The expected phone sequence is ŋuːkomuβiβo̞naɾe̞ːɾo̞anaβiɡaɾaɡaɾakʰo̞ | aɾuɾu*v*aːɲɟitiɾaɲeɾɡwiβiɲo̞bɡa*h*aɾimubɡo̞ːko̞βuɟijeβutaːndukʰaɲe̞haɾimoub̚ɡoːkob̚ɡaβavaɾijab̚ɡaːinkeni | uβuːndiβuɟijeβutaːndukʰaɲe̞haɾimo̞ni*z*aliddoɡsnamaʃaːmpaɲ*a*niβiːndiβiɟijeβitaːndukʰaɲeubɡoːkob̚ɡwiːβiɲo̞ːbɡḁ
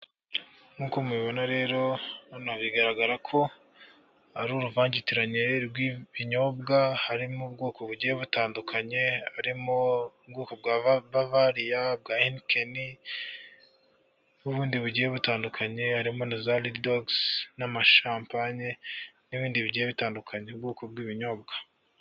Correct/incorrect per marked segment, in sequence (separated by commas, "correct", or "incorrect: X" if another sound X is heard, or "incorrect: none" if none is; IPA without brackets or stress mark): correct, correct, correct, incorrect: e